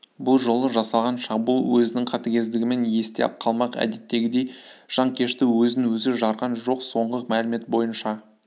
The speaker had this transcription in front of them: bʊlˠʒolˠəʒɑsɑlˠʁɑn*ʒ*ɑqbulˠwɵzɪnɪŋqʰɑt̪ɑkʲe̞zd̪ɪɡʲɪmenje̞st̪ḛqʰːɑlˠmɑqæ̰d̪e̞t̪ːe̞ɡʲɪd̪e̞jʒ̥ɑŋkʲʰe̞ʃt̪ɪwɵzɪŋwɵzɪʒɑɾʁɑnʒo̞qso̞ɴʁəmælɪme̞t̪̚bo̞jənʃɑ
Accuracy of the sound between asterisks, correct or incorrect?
incorrect: ʃ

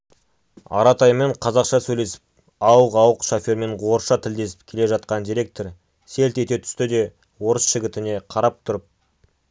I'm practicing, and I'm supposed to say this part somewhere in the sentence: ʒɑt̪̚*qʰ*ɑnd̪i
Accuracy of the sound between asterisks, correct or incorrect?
incorrect: q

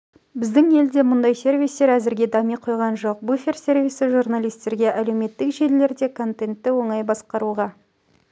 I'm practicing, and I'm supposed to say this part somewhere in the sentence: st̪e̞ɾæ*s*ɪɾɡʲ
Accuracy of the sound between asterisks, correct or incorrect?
incorrect: z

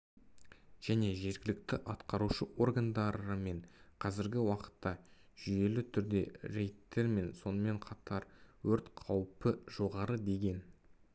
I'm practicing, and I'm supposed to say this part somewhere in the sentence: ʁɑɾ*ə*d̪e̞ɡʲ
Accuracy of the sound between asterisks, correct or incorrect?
correct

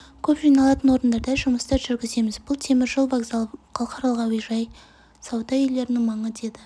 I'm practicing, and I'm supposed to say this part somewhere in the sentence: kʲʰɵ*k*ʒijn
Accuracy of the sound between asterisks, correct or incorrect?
incorrect: p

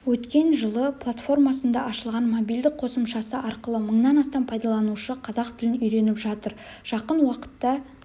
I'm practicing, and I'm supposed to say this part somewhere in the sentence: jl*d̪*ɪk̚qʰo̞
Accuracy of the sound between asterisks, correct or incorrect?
correct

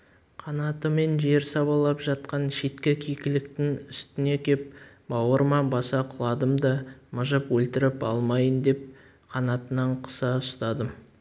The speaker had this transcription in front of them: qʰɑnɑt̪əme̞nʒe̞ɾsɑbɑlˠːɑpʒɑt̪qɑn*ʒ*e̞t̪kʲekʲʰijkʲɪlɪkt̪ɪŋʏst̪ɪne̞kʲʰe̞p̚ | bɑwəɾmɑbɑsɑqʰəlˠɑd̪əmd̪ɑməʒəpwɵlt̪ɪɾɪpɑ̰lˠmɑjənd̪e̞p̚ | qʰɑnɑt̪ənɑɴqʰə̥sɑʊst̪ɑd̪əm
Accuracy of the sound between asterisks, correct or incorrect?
incorrect: ʃ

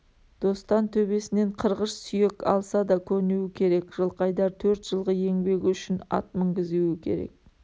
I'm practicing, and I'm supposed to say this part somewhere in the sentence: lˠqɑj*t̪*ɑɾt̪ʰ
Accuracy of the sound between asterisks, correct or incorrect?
incorrect: d̪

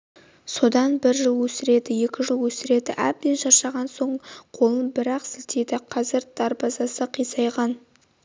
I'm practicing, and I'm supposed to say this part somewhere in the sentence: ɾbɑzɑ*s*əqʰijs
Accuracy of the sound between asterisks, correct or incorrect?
correct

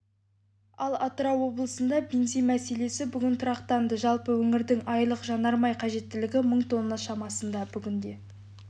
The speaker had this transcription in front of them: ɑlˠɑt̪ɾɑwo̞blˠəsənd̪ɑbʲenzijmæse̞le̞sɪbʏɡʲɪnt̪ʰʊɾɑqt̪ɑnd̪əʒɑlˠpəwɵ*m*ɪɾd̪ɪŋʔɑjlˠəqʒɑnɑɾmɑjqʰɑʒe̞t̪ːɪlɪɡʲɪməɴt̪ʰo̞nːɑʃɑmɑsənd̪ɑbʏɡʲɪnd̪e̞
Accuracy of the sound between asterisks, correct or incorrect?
incorrect: ŋ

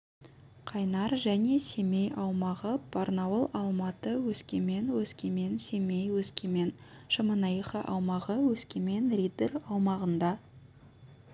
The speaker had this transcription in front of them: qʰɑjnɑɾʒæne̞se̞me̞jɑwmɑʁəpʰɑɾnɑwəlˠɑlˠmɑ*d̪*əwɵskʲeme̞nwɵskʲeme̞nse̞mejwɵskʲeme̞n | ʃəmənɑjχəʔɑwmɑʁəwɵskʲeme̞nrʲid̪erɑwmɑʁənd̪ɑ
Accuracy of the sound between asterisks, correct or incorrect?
incorrect: t̪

